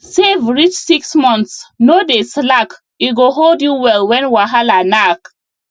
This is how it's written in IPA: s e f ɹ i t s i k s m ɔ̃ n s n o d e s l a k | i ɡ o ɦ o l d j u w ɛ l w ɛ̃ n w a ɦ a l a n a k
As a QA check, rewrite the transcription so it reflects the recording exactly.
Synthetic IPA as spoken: s e v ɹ i t͡ʃ s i k s m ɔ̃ n s n o d e s l a k | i ɡ o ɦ o l d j u w ɛ l w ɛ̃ n w a ɦ a l a n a k

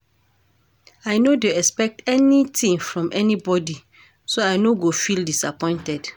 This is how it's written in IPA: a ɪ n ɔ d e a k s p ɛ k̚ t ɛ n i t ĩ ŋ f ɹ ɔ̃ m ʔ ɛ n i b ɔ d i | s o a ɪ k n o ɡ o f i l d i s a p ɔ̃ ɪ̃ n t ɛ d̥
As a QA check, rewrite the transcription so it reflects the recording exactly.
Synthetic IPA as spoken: a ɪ n o d e ɛ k s p ɛ k̚ t ɛ n i t ĩ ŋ f ɹ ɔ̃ m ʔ ɛ n i b ɔ d i | s o a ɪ n o ɡ o f i l d i s a p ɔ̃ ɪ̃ n t ɛ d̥

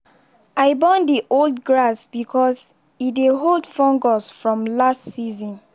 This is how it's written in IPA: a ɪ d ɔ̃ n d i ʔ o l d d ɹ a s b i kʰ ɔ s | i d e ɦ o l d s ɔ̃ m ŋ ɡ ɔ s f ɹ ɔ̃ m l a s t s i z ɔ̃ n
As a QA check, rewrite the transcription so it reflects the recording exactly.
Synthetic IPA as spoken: a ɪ b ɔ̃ n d i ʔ o l d ɡ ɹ a s b i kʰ ɔ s | i d e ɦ o l d f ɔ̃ ŋ ɡ ɔ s f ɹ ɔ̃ m l a s t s i z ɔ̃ n

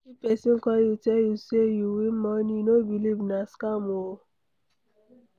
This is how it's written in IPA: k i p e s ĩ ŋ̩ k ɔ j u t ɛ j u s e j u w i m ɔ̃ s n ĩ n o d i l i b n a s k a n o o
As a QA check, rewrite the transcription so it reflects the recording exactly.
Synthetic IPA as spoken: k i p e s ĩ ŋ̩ k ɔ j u t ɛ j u s e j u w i m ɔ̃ n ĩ n o b i l i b n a s k a m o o

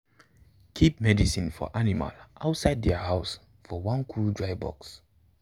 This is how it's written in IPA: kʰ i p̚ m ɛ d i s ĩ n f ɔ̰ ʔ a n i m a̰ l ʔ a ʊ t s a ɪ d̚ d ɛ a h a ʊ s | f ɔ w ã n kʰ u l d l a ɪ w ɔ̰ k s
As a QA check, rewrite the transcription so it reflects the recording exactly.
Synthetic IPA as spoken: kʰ i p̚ m ɛ d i s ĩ n f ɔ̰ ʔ a n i m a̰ l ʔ a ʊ t s a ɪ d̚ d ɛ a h a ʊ s | f ɔ w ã n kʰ u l d ɹ a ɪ b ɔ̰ k s

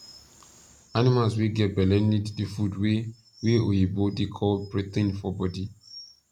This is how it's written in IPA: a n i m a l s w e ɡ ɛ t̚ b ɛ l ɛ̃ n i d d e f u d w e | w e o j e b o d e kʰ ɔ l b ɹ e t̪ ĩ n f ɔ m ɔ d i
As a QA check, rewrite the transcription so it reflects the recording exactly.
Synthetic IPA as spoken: a n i m a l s w e ɡ ɛ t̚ b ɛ l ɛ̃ n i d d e f u d w e | w e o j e b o d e kʰ ɔ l b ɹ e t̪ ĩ n f ɔ b ɔ d i

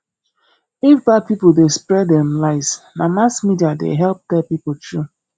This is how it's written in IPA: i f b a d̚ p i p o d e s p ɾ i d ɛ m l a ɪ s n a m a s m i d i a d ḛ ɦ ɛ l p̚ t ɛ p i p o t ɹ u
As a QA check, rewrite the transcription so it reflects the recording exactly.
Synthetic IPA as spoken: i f b a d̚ p i p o d e s p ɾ ɛ d ɛ m l a ɪ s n a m a s m i d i a d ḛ ɦ ɛ l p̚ t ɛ p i p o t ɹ u

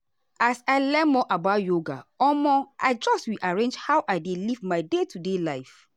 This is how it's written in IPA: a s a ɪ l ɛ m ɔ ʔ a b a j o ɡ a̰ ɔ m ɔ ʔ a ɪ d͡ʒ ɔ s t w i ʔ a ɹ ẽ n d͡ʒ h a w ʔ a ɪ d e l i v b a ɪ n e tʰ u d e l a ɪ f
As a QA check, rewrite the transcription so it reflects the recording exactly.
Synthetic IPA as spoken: a s a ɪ l ɛ m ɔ ʔ a b a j o ɡ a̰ ɔ m ɔ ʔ a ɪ d͡ʒ ɔ s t w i ʔ a ɹ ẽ n d͡ʒ h a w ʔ a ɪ d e l i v m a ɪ d e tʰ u d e l a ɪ f

